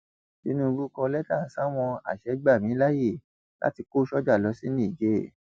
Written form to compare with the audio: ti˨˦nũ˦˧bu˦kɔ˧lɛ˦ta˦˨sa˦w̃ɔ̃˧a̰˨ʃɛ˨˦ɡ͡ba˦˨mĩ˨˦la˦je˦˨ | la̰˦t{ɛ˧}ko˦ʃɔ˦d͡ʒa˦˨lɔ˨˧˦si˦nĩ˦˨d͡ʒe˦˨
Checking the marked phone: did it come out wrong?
yes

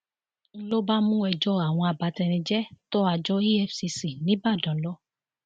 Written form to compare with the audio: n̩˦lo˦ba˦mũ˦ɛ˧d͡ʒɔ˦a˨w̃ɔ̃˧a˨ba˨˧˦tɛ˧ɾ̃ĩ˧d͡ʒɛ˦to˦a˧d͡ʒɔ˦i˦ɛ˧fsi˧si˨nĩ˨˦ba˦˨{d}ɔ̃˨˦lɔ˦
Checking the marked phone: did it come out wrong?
no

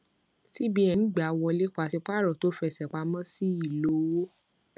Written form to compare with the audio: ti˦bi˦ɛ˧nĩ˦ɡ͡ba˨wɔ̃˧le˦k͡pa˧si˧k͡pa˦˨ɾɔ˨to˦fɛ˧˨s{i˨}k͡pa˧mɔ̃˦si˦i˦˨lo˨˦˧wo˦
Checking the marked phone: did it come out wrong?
yes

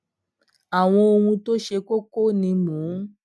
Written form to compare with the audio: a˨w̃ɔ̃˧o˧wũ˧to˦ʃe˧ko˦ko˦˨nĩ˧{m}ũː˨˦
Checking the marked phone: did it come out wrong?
no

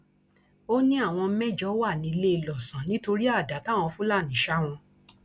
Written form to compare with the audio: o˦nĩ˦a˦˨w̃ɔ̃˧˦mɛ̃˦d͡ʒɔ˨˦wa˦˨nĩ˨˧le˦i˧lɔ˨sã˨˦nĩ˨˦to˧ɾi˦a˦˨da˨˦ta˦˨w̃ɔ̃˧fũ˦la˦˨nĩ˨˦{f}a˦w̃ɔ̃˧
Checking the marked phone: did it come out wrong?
yes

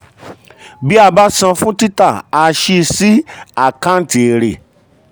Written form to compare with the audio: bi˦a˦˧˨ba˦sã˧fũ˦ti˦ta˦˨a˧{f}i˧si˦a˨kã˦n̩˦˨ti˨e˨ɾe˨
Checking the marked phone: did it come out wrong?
yes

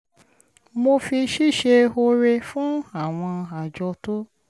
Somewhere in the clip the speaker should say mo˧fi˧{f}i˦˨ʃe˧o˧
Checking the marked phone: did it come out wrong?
yes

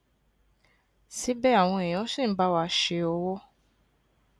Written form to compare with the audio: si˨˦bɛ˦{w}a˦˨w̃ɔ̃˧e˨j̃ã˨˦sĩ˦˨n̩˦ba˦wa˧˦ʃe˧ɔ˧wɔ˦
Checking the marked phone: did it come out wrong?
yes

